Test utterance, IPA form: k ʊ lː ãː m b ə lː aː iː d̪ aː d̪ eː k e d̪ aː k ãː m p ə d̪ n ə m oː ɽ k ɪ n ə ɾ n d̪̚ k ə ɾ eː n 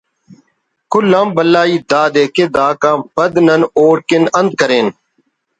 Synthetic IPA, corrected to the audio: k ʊ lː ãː m b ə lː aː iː d̪ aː d̪ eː k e d̪ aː k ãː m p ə d̪ n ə n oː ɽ k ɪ n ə n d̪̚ k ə ɾ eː n